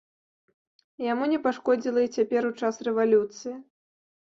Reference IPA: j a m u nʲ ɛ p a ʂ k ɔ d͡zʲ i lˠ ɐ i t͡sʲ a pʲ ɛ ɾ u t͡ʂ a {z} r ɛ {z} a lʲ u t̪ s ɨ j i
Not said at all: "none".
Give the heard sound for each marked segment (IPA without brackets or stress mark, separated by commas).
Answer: s, v